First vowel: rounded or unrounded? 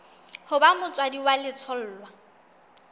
rounded